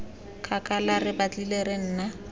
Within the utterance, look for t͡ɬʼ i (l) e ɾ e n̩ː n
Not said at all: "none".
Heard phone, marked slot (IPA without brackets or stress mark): l